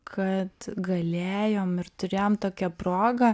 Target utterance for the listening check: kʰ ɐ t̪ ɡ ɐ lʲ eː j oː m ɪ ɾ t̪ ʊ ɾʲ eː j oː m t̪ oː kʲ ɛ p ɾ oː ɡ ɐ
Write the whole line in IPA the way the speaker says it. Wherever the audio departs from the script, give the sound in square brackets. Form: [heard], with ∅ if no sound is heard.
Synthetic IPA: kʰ ɐ t̪ ɡ ɐ lʲ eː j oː m ɪ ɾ t̪ ʊ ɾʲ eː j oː m t̪ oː kʲ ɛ p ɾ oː ɡ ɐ

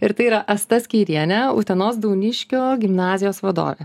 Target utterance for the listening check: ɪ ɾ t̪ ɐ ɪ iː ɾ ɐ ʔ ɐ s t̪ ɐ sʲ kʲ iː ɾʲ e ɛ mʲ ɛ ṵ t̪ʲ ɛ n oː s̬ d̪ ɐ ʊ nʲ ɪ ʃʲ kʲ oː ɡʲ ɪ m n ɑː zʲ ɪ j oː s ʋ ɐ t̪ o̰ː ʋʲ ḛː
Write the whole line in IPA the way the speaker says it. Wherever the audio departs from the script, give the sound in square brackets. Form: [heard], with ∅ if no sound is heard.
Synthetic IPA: ɪ ɾ t̪ ɐ ɪ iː ɾ ɐ ʔ ɐ s t̪ ɐ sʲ kʲ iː ɾʲ [i] ɛ [nʲ] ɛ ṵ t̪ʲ ɛ n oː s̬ d̪ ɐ ʊ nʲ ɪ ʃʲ kʲ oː ɡʲ ɪ m n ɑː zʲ ɪ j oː s ʋ ɐ [d̪] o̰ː ʋʲ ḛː

